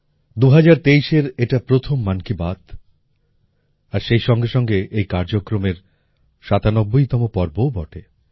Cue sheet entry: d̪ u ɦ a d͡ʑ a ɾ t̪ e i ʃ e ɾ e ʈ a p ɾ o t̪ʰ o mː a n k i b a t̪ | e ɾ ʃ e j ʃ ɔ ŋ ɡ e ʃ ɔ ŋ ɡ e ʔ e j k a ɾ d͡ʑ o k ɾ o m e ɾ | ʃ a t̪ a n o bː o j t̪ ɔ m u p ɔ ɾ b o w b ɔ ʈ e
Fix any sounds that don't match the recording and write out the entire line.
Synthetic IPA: d̪ u ɦ a d͡ʑ a ɾ t̪ e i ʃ e ɾ e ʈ a p ɾ o t̪ʰ o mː a n k i b a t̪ | a ɾ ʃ e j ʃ ɔ ŋ ɡ e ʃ ɔ ŋ ɡ e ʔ e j k a ɾ d͡ʑ o k ɾ o m e ɾ | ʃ a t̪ a n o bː o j t̪ ɔ m o p ɔ ɾ b o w b ɔ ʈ e